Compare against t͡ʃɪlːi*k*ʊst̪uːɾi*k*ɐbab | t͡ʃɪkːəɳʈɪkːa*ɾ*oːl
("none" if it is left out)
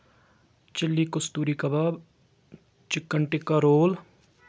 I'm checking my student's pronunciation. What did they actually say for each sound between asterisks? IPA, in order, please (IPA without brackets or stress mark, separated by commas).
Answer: k, k, ɾ